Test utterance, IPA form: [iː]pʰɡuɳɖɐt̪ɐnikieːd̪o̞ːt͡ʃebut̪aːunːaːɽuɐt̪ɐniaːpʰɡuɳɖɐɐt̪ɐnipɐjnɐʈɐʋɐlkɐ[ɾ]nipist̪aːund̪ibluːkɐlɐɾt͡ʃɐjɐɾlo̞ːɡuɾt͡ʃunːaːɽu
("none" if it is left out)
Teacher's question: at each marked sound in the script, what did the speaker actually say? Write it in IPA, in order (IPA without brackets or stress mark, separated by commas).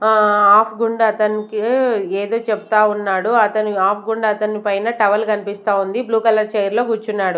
aː, none